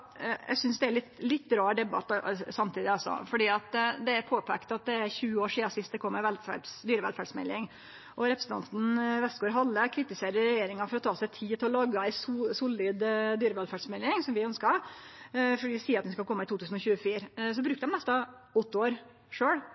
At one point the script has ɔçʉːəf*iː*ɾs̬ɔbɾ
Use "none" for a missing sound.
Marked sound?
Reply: iː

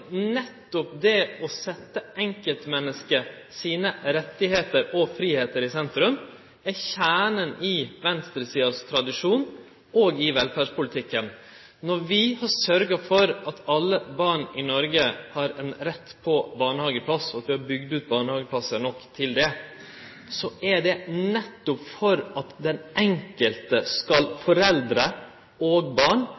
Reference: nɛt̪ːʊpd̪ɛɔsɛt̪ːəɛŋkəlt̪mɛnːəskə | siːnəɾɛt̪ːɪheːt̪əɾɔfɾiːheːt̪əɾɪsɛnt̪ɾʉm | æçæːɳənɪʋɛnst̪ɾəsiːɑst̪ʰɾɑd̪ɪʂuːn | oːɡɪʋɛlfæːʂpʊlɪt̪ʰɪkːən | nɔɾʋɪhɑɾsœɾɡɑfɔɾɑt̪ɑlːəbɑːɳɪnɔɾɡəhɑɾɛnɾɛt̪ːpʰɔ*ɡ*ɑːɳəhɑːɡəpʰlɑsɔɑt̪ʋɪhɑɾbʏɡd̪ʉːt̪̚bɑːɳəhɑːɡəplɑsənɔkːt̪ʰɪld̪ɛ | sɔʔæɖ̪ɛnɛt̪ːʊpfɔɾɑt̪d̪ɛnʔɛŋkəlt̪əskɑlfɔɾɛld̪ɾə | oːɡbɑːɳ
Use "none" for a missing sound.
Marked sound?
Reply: b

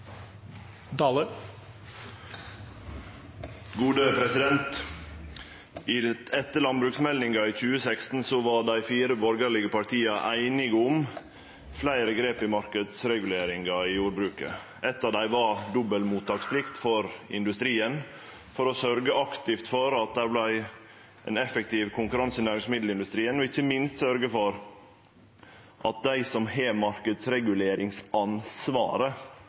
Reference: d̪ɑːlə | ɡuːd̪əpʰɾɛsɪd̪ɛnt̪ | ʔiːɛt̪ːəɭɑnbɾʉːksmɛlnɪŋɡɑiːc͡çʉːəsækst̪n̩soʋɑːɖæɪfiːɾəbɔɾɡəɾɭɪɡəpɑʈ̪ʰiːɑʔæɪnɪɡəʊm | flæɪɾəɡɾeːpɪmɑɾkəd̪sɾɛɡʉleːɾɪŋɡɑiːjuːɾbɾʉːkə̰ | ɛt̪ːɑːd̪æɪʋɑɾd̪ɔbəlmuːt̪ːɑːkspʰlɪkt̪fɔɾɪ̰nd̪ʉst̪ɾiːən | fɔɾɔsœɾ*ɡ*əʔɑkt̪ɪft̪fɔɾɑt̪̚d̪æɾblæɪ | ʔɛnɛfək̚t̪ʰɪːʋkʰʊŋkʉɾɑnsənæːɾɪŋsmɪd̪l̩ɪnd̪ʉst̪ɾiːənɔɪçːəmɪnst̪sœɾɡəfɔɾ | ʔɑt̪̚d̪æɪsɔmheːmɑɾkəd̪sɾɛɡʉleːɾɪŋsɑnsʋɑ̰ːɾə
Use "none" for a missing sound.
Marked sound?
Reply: ɡ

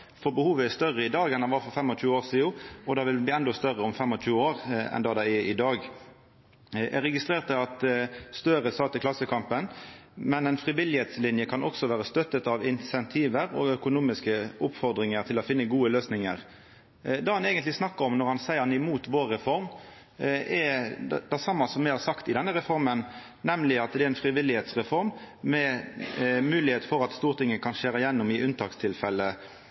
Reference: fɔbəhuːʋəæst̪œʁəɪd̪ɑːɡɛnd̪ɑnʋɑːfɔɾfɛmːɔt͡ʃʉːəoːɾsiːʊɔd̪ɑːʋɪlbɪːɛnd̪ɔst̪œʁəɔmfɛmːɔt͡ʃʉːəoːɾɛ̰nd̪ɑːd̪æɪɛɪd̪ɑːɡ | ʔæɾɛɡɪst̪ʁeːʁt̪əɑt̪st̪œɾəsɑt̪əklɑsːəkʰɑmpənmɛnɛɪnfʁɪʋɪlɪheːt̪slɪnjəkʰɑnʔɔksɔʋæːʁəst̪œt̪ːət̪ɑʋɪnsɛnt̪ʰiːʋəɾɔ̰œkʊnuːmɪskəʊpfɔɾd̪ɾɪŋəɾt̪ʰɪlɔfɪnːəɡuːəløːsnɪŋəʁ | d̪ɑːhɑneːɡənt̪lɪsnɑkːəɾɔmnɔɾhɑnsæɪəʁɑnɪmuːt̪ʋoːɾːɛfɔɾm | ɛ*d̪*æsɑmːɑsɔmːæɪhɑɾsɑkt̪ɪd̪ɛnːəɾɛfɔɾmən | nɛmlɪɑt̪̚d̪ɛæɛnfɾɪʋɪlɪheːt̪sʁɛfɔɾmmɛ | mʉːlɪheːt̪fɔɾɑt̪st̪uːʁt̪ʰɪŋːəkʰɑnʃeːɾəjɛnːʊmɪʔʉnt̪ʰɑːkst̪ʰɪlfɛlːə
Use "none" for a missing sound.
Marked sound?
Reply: d̪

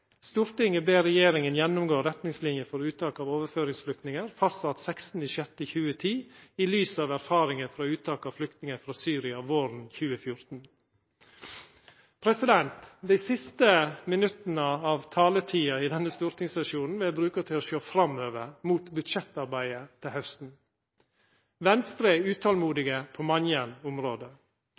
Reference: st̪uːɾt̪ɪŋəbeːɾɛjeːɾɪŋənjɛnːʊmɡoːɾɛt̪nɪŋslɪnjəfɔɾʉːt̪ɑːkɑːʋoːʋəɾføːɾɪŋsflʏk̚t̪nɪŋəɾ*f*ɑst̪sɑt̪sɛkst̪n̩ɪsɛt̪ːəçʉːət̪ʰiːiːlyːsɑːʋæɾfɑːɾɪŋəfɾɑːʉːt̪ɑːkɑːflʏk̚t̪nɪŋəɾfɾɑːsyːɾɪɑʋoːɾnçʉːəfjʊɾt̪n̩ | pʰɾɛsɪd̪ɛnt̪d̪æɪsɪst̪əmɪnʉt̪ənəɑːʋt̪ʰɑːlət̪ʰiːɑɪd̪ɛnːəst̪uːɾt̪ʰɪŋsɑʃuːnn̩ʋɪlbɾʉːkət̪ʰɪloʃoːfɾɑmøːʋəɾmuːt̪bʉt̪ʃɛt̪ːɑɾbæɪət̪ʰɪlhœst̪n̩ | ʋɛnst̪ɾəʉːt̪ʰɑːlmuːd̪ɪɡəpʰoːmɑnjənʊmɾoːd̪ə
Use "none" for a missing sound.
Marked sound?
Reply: f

